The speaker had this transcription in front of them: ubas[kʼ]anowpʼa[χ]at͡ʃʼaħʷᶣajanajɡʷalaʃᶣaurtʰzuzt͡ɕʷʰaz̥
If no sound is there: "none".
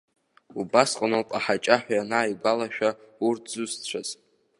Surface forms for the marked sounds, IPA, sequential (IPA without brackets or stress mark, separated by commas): qʼ, ħ